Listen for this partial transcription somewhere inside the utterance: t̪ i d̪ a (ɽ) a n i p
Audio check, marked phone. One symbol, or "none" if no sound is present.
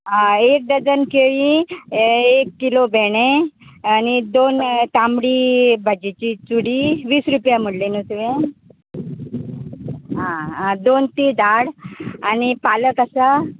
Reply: ɽ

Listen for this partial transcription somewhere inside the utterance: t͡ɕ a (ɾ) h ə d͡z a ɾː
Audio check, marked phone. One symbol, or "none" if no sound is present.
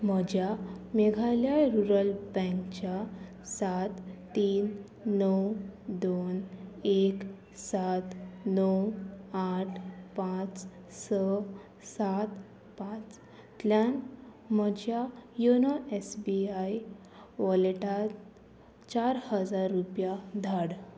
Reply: ɾ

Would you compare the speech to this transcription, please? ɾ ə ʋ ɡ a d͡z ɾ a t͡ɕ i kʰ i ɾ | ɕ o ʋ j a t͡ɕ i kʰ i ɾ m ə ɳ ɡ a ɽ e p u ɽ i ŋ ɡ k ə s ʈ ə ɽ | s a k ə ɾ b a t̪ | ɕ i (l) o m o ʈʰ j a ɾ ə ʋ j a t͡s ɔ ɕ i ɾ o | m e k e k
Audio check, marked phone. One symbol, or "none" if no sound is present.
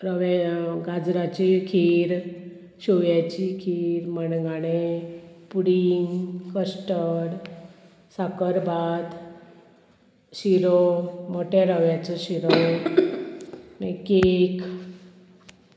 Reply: ɾ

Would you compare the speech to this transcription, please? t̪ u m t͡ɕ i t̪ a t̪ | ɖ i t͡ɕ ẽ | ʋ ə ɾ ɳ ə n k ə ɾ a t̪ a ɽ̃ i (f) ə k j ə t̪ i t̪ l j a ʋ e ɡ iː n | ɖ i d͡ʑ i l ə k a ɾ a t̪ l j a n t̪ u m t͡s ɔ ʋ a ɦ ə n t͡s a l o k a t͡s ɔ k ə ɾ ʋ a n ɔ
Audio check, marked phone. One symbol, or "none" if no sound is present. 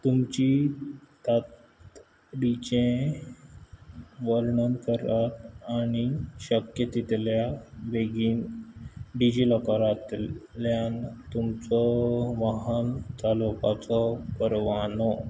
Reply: ɕ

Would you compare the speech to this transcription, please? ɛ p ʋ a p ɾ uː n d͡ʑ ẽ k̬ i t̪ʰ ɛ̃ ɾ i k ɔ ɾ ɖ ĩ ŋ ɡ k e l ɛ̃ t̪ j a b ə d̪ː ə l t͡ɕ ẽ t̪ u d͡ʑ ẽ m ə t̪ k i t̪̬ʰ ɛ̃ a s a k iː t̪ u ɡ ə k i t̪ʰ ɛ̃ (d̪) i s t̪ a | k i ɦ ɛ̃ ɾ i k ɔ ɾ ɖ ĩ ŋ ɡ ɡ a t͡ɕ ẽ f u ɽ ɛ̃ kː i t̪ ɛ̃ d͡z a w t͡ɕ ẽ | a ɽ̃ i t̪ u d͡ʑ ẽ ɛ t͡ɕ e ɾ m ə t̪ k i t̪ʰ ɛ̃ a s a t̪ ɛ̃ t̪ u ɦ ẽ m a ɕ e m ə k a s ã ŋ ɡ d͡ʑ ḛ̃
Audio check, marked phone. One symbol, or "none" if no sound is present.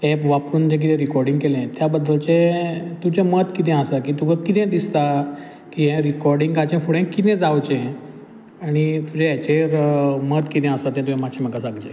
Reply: d̪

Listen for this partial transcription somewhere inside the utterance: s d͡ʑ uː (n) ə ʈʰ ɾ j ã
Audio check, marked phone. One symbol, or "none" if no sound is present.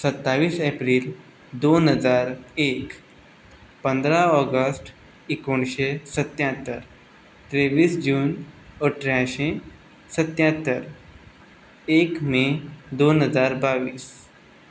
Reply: n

